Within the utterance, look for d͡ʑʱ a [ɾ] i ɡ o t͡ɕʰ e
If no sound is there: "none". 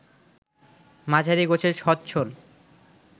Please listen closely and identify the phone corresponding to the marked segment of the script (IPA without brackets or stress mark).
ɾ